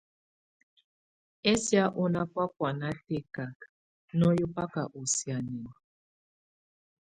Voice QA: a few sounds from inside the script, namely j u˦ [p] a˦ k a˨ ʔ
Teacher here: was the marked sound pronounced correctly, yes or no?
yes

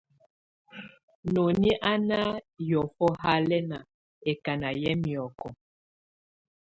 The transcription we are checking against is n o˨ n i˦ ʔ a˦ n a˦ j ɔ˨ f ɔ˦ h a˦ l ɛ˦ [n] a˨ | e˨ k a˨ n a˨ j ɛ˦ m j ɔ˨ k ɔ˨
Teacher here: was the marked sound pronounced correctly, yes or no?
yes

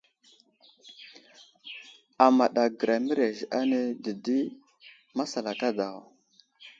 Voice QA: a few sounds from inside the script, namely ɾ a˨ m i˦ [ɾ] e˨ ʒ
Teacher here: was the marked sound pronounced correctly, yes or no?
yes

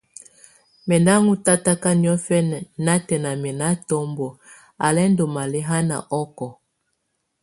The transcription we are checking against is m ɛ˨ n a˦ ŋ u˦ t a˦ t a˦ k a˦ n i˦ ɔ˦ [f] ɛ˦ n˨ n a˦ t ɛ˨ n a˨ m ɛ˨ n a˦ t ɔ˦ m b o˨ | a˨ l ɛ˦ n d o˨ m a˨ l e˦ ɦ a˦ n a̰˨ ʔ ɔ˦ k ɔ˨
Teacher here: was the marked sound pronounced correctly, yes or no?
yes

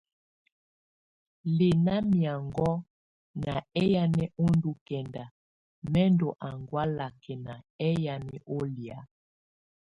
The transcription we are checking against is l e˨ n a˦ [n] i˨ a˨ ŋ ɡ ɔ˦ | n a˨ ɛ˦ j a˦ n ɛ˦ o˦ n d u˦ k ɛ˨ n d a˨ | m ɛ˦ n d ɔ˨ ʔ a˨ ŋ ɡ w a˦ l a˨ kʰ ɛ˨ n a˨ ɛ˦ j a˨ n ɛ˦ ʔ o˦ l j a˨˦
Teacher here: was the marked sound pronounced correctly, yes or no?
no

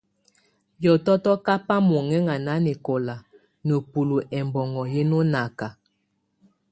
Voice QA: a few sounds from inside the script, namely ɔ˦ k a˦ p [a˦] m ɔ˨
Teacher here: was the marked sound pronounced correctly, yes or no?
yes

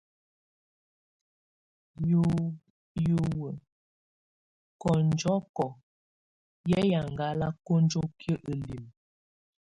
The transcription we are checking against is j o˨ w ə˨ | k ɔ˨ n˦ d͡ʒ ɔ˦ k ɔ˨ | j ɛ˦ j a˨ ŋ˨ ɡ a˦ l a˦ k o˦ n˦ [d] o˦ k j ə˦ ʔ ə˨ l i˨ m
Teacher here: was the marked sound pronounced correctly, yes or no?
no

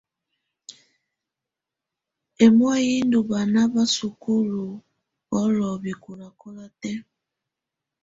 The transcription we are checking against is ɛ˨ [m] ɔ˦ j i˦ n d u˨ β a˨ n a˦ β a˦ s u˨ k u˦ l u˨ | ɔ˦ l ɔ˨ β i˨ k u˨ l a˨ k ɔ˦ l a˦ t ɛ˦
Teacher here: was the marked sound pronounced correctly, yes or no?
yes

